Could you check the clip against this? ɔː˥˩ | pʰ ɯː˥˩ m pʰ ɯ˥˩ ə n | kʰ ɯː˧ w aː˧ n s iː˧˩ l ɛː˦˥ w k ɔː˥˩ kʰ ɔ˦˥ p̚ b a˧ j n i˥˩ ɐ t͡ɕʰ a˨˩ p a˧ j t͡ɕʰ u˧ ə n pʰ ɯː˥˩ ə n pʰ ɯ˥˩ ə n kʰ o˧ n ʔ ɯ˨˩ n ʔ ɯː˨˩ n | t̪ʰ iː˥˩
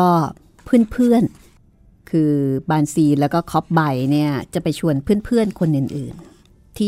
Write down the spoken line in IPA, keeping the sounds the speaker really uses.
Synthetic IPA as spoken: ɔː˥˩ | pʰ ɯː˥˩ n pʰ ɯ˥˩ ə n | kʰ ɯː˧ b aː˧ n s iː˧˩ l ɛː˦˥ w k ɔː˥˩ kʰ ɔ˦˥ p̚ b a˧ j n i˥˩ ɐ t͡ɕ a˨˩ p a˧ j t͡ɕʰ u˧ ə n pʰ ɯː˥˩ ə n pʰ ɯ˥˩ ə n kʰ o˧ n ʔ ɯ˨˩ n ʔ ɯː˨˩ n | t̪ʰ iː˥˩